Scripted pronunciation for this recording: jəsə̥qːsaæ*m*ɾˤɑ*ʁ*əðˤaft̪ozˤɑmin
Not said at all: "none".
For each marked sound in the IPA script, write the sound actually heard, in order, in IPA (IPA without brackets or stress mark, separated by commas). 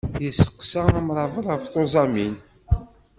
m, v